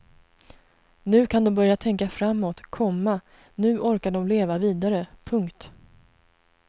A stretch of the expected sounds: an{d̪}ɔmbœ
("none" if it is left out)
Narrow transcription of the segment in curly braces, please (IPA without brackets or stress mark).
d̪